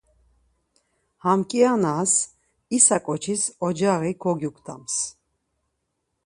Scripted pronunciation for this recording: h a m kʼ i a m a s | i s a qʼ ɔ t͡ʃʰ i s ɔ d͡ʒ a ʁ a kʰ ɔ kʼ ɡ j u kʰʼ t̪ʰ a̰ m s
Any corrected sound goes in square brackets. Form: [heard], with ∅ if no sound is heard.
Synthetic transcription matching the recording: h a m kʼ i a [n] a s | i s a [kʼ] ɔ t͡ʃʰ i s ɔ d͡ʒ a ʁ [i] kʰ ɔ [∅] ɡ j u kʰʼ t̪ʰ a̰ m s